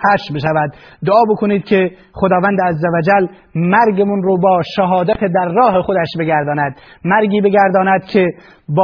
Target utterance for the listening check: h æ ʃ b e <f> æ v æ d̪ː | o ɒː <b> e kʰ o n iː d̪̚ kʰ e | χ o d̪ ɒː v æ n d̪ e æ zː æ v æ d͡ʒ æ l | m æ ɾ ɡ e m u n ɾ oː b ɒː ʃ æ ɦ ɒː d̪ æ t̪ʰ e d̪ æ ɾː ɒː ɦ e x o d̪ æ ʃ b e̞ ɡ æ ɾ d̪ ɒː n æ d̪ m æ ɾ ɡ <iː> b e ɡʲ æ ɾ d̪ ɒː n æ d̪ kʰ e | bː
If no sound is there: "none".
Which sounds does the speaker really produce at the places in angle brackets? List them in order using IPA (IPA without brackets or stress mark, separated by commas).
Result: ʃ, b, iː